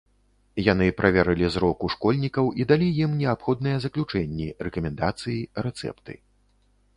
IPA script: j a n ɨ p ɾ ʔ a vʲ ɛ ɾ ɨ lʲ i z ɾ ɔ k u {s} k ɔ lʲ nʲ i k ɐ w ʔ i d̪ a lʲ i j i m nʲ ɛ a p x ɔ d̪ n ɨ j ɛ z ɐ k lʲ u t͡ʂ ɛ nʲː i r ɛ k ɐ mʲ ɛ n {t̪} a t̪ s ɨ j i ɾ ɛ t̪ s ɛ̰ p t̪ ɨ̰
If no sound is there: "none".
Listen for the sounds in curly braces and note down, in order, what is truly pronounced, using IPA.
ʂ, d̪

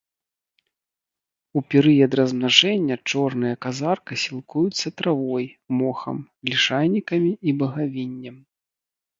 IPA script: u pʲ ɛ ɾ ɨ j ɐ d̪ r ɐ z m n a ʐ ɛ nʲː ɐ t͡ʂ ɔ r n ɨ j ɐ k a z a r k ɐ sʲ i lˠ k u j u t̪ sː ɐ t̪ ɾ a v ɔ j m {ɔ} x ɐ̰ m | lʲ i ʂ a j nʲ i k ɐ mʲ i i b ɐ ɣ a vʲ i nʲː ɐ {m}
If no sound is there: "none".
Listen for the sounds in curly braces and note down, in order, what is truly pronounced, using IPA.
ɔ, m

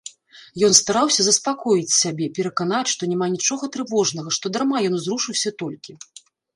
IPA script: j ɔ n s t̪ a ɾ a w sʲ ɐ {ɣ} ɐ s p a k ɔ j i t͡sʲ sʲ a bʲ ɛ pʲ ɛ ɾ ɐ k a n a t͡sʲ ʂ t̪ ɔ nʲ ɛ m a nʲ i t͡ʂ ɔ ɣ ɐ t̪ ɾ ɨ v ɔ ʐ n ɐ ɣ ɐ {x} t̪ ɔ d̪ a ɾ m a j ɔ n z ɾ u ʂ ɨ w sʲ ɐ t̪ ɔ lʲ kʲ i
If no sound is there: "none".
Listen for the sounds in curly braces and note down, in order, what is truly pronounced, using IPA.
z, ʂ

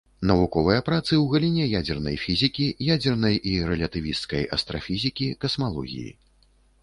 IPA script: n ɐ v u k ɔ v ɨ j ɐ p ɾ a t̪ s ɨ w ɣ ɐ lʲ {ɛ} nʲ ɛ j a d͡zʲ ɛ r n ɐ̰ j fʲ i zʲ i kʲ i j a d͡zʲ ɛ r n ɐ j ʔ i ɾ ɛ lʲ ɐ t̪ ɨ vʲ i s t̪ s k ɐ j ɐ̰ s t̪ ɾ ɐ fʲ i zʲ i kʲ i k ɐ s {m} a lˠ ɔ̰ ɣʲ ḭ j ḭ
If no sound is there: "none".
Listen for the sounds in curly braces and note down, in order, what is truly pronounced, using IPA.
i, m

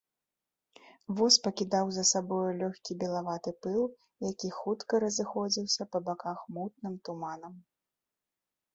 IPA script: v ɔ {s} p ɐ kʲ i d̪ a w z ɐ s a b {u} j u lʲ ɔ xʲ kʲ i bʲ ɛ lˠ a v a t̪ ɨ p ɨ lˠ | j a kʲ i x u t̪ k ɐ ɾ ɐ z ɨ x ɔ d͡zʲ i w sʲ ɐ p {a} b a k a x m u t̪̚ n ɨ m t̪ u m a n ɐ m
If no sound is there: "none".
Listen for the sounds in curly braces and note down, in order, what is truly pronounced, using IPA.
s, ɔ, ɐ

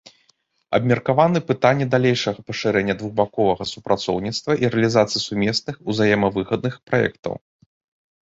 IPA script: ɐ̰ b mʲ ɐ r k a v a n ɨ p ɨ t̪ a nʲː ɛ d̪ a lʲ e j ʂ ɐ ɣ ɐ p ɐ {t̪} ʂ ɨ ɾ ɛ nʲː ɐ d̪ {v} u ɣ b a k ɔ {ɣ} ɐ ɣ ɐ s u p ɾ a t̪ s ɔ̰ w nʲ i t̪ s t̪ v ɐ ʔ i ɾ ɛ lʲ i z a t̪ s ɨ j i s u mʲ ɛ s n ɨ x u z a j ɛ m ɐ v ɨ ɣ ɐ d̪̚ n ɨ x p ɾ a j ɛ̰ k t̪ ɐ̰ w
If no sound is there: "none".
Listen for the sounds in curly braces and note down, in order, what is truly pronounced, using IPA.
none, v, v

